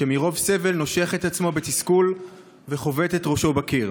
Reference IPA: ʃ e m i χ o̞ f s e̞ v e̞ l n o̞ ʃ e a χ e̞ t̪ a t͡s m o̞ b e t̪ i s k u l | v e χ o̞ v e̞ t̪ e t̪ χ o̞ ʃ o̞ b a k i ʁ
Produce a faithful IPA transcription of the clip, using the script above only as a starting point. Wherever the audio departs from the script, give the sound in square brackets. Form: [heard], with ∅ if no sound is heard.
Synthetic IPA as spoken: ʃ e m i [ʁ] o̞ [v] s e̞ v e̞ l n o̞ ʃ e a χ e̞ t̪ a t͡s m o̞ b e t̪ i s k u l | v e χ o̞ v e̞ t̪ e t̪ [ʁ] o̞ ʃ o̞ b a k i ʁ